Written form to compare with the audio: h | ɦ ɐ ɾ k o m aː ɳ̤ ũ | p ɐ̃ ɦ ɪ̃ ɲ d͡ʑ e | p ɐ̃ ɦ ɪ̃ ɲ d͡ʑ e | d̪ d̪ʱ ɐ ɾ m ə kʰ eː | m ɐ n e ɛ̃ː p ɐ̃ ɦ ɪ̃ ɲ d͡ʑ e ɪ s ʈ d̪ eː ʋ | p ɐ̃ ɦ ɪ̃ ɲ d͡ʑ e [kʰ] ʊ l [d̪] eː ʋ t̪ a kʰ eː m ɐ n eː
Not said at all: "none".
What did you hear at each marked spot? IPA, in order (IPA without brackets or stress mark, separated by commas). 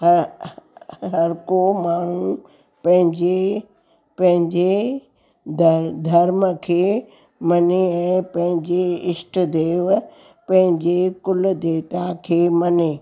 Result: k, d̪